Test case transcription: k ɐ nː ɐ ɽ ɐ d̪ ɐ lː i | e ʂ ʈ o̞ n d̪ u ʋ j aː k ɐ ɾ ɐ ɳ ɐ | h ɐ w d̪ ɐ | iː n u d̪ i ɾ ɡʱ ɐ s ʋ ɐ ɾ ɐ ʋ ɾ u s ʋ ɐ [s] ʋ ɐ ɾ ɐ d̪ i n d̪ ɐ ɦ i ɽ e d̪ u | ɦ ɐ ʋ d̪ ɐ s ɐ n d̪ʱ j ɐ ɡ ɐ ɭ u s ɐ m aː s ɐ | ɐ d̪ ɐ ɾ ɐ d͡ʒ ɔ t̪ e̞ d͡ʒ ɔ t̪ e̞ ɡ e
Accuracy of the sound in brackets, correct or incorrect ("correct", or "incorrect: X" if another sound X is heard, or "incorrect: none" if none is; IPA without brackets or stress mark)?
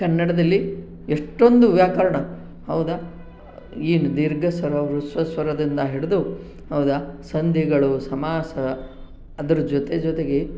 correct